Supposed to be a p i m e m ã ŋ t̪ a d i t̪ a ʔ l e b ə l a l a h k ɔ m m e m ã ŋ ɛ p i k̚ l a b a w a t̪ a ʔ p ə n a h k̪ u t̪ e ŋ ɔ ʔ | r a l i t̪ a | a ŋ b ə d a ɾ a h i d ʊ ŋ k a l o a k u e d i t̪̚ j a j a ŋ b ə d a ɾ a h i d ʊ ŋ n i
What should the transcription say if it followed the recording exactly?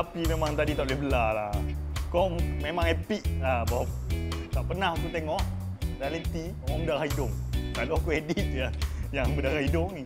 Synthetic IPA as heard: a p i m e m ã ŋ t̪ a d i t̪ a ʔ l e b ə l a l a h k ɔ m m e m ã ŋ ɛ p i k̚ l a b a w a t̪ a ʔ p ə n a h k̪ u t̪ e ŋ ɔ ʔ | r a l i t̪ i | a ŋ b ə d a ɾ a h i d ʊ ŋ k a l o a k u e d i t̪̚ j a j a ŋ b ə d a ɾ a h i d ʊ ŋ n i

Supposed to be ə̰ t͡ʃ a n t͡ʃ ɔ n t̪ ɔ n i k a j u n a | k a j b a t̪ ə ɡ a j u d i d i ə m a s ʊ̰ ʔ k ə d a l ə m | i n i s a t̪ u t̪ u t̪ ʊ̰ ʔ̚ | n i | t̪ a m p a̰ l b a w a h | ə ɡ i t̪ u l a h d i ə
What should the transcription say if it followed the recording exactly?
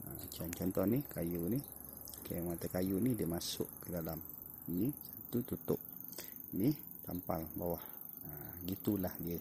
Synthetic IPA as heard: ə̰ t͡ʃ a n t͡ʃ ɔ n t̪ ɔ n i k a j u n i | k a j m a t̪ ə k a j u n i d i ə m a s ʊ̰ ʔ k ə d a l a m | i n i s a t̪ u t̪ u t̪ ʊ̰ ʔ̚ | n i | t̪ a m p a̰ l b a w a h | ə ɡ i t̪ u l a h d i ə

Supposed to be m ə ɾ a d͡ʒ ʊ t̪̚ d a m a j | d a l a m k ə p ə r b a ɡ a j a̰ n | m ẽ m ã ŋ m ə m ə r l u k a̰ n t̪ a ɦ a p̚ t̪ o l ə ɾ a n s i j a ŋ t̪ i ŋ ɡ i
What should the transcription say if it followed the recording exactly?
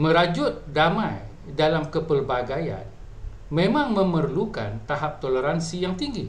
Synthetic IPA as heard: m ə ɾ a d͡ʒ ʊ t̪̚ d a m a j | d a l a m k ə p ə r b a ɡ a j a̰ n | m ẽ m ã ŋ m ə m ə r l u k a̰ n t̪ a ɦ a p̚ t̪ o l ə ɾ a n s i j a ŋ t̪ i ŋ ɡ i

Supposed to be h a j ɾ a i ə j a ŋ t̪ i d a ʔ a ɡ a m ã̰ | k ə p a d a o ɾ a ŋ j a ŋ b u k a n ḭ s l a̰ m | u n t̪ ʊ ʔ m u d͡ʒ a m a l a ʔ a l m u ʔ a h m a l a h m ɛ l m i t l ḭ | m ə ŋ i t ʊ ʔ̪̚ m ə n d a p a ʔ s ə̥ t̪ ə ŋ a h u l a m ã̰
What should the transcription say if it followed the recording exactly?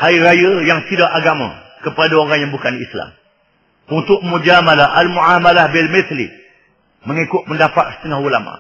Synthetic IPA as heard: h a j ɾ a j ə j a ŋ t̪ i d a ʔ a ɡ a m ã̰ | k ə p a d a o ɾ a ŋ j a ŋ b u k a n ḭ s l a̰ m | u n t̪ ʊ ʔ m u d͡ʒ a m a l a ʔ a l m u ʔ a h m a l a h b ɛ l m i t l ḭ | m ə ŋ i k ʊ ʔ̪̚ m ə n d a p a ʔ s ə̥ t̪ ə ŋ a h u l a m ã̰

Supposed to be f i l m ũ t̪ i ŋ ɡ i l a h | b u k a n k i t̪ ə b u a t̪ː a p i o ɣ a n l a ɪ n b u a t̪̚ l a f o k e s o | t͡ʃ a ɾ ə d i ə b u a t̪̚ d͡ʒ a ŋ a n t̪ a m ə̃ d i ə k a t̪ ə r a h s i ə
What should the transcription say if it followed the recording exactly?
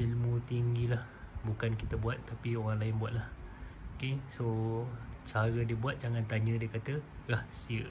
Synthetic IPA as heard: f i l m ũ t̪ i ŋ ɡ i l a h | b u k a n k i t̪ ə b u a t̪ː a p i o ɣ a ŋ l a ɪ n b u a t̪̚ l a h o k e s o | t͡ʃ a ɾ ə d i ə b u a t̪̚ d͡ʒ a ŋ a n t̪ a ɲ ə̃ d i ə k a t̪ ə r a h s i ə

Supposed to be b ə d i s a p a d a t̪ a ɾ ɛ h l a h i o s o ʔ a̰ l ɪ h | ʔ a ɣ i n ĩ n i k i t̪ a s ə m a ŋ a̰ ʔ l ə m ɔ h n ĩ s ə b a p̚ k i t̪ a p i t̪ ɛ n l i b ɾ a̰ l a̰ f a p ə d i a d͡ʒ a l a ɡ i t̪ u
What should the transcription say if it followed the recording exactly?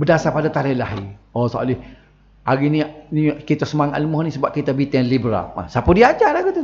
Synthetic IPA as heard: b ə d a s a p a d a t̪ a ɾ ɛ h l a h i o s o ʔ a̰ l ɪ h | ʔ a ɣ i n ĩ n i k i t̪ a s ə m a ŋ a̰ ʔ l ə m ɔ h n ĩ s ə b a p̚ k i t̪ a b i t̪ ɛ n l i b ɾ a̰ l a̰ s a p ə d i a d͡ʒ a l a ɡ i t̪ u

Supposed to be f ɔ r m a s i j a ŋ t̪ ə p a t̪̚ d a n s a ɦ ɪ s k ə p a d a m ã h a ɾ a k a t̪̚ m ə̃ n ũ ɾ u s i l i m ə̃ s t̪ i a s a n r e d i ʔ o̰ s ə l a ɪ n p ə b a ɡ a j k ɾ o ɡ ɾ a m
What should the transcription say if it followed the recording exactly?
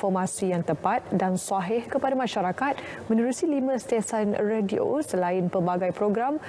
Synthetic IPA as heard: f ɔ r m a s i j a ŋ t̪ ə p a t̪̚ d a n s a ɦ ɪ h k ə p a d a m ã ʃ a ɾ a k a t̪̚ m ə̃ n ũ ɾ u s i l i m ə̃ s t̪ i a s a n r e d i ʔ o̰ s ə l a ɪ n p ə b a ɡ a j p ɾ o ɡ ɾ a m

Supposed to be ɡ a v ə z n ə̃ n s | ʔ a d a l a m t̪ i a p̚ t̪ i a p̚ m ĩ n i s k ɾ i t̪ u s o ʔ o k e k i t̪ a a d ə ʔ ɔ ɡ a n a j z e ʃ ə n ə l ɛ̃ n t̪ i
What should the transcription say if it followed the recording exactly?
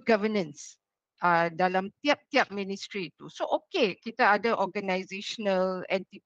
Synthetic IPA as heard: ɡ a v ə n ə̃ n s | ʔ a d a l a m t̪ i a p̚ t̪ i a p̚ m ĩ n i s t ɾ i t̪ u s o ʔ o k e k i t̪ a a d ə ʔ ɔ ɡ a n a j z e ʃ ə n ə l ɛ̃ n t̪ i

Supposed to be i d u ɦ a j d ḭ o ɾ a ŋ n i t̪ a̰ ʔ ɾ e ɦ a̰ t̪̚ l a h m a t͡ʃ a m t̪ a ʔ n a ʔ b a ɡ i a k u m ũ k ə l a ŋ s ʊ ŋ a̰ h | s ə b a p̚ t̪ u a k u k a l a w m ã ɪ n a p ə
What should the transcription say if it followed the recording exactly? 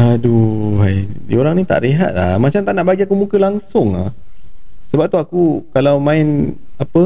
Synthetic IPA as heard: a d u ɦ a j d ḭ o ɾ a ŋ n i t̪ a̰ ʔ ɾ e ɦ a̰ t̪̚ l a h m a t͡ʃ a m t̪ a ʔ n a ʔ b a ɡ i a k u m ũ k ə l a ŋ s ʊ ŋ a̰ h | s ə b a p̚ t̪ u a k u k a l a w m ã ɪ n a p ə

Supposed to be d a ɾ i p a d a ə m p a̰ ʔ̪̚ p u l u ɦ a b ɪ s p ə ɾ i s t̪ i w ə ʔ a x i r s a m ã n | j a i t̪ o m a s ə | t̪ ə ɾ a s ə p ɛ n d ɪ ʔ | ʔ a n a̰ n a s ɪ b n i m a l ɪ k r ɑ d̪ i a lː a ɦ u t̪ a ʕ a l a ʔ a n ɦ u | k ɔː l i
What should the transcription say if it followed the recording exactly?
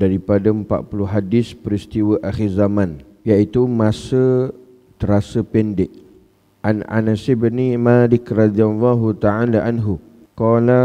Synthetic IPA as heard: d a ɾ i p a d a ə m p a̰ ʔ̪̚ p u l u ɦ a d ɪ s p ə ɾ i s t̪ i w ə ʔ a x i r z a m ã n | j a i t̪ u m a s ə | t̪ ə ɾ a s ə p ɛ n d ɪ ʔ | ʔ a n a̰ n a s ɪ b n i m a l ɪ k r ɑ d̪ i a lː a ɦ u t̪ a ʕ a l a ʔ a n ɦ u | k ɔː l a

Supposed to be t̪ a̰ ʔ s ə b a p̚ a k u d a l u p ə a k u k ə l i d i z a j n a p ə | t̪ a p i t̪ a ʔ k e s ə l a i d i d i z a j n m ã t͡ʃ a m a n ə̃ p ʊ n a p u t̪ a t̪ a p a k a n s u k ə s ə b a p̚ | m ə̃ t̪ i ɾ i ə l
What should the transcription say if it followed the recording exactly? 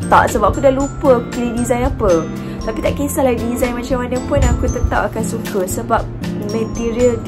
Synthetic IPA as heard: t̪ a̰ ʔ s ə b a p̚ a k u d a l u p ə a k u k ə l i d i z a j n a p ə | t̪ a p i t̪ a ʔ k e s a l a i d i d i z a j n m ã t͡ʃ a m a n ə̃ p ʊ n a k u t̪ ə t̪ a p a k a n s u k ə s ə b a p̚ | m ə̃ t̪ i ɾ i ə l

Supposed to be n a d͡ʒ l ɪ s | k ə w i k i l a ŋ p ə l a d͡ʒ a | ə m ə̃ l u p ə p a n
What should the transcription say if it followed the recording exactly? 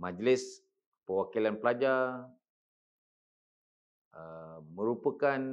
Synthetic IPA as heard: m a d͡ʒ l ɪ s | p ə w a k i l a n p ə l a d͡ʒ a | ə m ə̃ ɾ u p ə k a n

